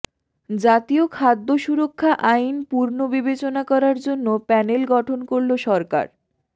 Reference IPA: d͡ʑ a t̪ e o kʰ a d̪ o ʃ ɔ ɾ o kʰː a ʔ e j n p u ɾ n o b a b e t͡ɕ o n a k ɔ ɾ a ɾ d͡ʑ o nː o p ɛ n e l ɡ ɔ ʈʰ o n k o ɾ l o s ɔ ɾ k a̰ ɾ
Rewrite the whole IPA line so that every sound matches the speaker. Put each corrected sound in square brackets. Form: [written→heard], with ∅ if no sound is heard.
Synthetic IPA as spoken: d͡ʑ a t̪ [e→i] o kʰ a [d̪→d̪ː] o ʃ [ɔ→u] ɾ o kʰː a ʔ [e→a] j n p u ɾ n o b [a→i] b e t͡ɕ o n a k ɔ ɾ a ɾ d͡ʑ o nː o p ɛ n e l ɡ ɔ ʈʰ o n k o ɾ l o [s→ʃ] ɔ ɾ k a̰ ɾ